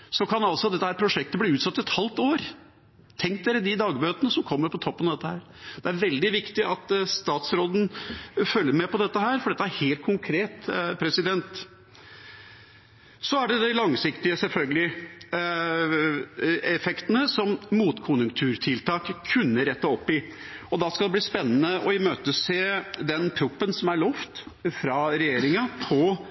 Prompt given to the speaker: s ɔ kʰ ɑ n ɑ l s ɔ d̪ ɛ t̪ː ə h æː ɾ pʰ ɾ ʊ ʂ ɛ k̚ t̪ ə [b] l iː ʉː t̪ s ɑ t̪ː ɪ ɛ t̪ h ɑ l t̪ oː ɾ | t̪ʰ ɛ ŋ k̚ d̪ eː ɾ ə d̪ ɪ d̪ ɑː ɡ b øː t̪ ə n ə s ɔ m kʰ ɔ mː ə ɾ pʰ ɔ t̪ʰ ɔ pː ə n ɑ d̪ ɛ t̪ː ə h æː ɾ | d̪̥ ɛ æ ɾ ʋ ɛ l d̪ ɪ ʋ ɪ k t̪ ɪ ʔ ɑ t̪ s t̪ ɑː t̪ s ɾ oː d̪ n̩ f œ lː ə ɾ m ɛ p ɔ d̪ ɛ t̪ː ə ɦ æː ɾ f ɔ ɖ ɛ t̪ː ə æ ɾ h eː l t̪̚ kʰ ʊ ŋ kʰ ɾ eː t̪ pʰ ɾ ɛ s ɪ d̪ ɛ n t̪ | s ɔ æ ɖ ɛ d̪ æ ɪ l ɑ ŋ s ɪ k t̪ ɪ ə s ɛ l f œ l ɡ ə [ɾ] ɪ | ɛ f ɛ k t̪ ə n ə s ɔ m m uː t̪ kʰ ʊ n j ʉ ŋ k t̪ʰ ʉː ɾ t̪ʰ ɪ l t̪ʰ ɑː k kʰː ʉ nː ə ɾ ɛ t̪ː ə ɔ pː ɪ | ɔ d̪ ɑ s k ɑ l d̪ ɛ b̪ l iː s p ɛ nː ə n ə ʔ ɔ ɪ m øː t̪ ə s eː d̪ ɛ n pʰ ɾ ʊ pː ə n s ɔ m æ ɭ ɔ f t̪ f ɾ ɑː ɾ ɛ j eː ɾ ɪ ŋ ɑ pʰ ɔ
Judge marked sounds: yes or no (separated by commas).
yes, no